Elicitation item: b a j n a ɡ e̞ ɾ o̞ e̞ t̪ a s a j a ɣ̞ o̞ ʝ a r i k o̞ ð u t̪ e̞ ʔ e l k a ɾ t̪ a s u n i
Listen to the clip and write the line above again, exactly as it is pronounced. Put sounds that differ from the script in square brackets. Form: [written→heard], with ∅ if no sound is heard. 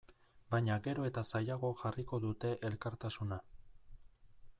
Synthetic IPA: b a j [n→ɲ] a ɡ e̞ ɾ o̞ e̞ t̪ a s a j a ɣ̞ o̞ ʝ a r i k o̞ ð u t̪ e̞ ʔ e l k a ɾ t̪ a s u n [i→a]